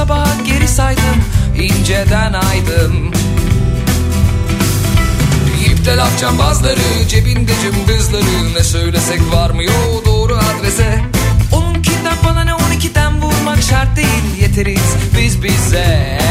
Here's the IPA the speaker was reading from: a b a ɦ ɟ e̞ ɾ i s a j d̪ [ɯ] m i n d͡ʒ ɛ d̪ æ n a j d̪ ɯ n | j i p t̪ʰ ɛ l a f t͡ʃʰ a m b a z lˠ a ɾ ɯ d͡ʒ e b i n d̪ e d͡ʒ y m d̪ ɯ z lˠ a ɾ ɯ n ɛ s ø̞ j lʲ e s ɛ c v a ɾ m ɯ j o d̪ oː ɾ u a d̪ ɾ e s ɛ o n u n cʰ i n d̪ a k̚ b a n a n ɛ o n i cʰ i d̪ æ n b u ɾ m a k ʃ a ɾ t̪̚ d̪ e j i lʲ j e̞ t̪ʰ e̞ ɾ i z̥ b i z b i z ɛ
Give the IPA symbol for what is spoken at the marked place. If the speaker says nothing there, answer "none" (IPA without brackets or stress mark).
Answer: ɯ